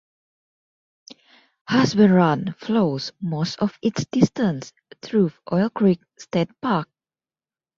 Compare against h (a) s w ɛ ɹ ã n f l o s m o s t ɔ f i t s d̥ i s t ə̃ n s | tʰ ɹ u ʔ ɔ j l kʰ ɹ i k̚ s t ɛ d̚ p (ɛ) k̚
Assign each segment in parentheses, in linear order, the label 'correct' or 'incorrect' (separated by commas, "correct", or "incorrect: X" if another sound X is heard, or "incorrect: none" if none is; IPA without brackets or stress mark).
correct, incorrect: a